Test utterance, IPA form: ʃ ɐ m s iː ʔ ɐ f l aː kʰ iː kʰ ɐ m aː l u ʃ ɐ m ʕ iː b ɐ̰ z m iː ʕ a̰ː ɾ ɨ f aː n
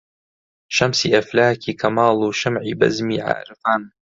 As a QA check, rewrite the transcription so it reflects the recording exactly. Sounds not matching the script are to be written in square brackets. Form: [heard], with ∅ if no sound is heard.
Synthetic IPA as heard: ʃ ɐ m s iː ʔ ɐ f l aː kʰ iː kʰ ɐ m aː l u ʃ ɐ m ʕ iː b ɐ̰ z m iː ʕ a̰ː ɾ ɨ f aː n